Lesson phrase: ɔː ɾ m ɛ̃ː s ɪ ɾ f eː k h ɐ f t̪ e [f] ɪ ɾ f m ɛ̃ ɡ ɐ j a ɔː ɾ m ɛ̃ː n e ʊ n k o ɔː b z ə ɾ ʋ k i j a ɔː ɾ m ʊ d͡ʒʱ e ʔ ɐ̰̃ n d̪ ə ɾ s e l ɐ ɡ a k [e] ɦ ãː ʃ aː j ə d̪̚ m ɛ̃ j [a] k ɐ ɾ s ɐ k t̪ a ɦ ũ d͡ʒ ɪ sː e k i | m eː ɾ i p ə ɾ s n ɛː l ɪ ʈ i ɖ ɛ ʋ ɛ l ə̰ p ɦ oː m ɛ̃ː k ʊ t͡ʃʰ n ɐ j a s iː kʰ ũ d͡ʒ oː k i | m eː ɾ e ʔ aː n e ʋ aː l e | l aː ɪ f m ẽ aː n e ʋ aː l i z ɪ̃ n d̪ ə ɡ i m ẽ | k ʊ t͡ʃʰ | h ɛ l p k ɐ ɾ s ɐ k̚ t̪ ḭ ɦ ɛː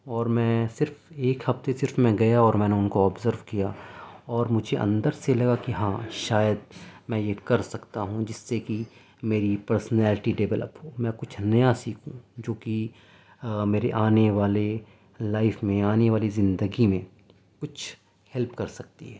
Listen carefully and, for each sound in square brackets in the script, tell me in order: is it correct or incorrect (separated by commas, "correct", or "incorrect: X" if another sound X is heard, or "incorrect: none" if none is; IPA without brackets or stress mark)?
incorrect: s, incorrect: i, incorrect: e